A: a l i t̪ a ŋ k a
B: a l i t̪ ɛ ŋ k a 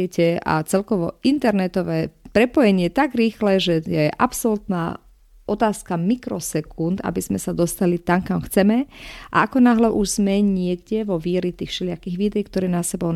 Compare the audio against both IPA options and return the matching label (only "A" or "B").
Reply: A